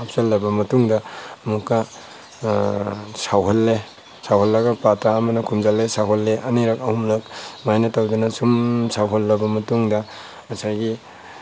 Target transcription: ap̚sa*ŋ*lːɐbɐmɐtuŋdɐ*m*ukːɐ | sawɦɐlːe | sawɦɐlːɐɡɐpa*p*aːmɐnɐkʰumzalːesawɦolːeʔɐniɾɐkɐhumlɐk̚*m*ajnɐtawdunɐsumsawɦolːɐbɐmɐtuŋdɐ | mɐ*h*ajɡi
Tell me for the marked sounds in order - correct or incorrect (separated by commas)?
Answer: incorrect, correct, incorrect, correct, incorrect